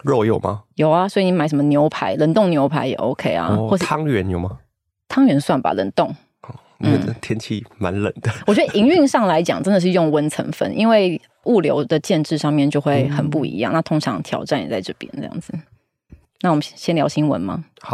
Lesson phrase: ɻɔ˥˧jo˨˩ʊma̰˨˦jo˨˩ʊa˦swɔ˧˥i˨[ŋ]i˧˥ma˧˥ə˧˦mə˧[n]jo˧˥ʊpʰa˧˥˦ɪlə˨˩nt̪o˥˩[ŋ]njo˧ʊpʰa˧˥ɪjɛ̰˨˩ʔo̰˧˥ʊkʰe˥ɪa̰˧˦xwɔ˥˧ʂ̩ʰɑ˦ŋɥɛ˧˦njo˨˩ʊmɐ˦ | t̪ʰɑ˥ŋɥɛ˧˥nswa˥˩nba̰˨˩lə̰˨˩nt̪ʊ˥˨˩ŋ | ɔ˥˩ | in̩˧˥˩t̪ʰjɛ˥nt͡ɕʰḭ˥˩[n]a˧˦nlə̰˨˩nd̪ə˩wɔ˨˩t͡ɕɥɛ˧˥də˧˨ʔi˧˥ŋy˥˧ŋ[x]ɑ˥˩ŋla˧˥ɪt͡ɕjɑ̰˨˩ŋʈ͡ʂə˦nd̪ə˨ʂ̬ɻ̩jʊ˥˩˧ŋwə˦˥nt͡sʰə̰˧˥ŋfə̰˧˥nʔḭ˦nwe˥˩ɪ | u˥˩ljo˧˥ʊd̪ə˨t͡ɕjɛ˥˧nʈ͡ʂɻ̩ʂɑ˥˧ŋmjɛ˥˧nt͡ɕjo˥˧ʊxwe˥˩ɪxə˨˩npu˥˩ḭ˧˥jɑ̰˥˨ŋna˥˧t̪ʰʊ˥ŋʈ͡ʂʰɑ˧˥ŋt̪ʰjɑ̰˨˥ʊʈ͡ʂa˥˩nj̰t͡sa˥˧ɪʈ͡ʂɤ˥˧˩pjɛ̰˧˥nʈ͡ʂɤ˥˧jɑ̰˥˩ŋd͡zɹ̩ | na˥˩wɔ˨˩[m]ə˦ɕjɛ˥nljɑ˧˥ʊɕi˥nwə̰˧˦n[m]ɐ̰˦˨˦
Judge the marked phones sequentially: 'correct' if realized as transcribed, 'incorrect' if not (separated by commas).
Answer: incorrect, correct, correct, incorrect, incorrect, correct, correct